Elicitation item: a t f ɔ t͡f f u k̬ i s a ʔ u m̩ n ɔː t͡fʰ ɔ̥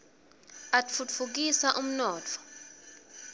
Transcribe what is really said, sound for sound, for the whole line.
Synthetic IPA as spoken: a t f u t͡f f u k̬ i s a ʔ u m̩ n ɔː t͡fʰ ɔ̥